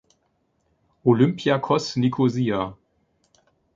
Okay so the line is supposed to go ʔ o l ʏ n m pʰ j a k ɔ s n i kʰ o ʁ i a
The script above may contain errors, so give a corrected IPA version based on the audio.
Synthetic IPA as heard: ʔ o l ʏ m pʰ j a kʰ ɔ s n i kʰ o z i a